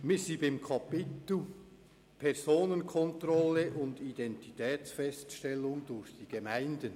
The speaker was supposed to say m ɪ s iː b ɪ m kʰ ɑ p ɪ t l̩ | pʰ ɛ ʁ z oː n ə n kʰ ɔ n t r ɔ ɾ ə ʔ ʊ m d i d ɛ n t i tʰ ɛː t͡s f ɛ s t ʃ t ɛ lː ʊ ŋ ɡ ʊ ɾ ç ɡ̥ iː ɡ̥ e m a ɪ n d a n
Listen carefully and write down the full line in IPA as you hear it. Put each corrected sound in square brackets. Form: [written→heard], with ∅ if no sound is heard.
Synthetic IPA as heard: m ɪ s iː b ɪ m kʰ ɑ p ɪ t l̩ | pʰ ɛ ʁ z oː n ə n kʰ ɔ n t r ɔ [ɾ→l] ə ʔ ʊ [m→n] d i d ɛ n t i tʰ ɛː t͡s f ɛ s t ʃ t ɛ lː ʊ ŋ [ɡ→d] ʊ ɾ ç [ɡ̥→d̥] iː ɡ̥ e m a ɪ n d [a→ə] n